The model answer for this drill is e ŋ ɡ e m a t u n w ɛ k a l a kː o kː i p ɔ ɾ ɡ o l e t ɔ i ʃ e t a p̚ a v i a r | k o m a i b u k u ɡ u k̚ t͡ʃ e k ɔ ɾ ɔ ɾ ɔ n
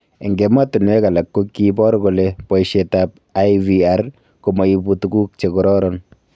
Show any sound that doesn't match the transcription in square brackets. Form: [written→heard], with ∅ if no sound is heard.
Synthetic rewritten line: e ŋ ɡ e m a t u n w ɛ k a l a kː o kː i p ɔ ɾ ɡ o l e [t→p] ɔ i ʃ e t a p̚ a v i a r | k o m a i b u [k→t] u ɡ u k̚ t͡ʃ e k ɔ ɾ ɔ ɾ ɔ n